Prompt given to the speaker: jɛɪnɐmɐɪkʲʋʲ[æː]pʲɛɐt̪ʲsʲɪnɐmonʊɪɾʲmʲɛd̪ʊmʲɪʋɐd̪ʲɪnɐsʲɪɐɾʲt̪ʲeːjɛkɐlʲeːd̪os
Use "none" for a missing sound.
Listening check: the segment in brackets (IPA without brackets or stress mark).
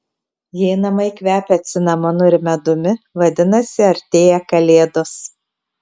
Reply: æː